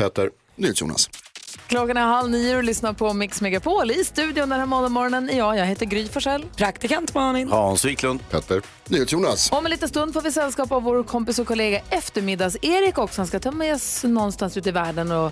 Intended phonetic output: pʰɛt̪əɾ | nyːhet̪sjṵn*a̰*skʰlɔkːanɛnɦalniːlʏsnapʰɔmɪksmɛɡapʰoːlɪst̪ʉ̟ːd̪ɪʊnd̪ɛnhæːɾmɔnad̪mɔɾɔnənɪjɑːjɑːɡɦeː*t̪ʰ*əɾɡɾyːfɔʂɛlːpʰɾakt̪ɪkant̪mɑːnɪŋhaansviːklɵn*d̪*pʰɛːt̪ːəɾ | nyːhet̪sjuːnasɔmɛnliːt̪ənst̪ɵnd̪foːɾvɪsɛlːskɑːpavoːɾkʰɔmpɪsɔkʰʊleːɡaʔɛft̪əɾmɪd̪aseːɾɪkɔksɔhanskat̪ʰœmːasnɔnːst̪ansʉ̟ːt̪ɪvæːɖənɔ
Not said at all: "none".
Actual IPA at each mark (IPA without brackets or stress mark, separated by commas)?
a̰, t̪, d̪